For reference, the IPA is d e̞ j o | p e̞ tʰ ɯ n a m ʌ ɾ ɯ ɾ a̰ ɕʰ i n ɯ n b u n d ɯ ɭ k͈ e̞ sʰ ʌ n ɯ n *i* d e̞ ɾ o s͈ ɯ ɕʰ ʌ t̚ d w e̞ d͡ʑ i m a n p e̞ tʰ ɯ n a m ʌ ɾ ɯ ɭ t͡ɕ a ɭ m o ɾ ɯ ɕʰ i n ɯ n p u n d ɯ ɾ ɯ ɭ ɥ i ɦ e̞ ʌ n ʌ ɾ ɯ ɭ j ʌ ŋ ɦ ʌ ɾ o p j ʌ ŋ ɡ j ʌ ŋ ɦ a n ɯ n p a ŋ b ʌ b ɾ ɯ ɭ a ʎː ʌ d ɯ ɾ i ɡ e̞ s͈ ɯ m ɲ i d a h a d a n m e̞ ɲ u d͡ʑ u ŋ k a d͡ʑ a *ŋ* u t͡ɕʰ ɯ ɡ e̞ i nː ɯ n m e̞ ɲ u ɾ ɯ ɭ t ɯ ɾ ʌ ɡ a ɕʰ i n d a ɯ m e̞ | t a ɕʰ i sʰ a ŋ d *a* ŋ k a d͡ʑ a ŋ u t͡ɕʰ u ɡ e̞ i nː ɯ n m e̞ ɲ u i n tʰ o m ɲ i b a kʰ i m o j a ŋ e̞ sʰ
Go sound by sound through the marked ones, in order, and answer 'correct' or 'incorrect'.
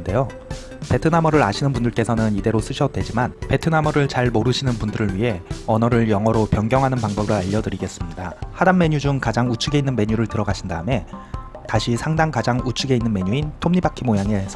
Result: correct, correct, correct

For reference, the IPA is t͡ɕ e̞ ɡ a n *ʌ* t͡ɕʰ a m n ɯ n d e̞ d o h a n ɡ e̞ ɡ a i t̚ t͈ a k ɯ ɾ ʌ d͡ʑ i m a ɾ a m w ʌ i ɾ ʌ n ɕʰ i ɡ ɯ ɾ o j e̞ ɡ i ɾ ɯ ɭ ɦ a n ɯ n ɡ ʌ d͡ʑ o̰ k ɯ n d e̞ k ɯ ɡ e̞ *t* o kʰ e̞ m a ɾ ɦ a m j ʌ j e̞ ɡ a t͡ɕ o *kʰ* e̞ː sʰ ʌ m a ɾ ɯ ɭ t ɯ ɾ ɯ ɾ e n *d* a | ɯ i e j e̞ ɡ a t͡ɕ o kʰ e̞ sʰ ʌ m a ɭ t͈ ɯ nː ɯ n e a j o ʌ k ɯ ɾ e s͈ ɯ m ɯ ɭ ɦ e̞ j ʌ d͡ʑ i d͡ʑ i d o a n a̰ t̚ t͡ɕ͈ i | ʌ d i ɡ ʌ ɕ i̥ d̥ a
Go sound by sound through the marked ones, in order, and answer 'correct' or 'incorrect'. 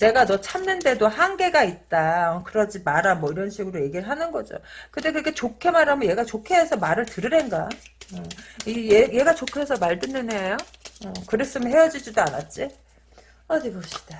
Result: correct, incorrect, correct, incorrect

